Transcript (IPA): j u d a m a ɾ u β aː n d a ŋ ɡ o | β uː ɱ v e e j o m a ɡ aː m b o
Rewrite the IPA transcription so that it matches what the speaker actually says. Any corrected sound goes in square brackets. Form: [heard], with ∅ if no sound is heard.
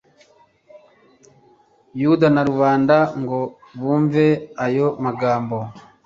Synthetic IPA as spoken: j u d a [n] a ɾ u β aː n d a ŋ ɡ o | β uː ɱ v e [a] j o m a ɡ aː m b o